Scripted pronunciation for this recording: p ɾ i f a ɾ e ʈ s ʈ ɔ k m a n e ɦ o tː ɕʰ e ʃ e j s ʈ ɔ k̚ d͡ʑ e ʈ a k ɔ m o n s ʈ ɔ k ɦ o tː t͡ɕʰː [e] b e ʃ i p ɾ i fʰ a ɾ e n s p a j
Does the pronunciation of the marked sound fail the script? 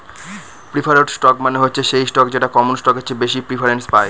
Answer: no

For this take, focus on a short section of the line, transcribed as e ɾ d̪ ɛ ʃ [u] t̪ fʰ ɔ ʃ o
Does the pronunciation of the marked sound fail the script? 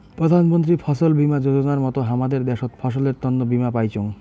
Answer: yes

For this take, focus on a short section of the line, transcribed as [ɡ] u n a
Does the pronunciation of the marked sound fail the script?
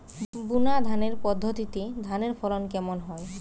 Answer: yes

